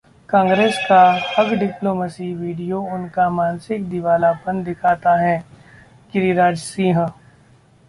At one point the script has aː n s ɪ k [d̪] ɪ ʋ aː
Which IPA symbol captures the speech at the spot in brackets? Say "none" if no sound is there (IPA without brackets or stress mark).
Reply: d̪